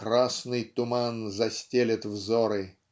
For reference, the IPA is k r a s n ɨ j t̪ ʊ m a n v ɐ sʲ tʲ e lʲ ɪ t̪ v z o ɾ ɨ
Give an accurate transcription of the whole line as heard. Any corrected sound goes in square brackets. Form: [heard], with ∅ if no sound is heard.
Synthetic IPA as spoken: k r a s n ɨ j t̪ ʊ m a n [z] ɐ sʲ tʲ e lʲ ɪ t̪ v z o ɾ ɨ